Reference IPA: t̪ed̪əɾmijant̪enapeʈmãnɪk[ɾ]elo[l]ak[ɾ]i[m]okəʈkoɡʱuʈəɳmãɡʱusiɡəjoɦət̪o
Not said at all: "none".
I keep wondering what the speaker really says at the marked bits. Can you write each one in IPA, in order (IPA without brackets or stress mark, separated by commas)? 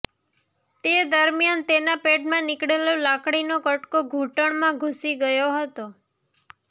ɽ, l, ɽ, n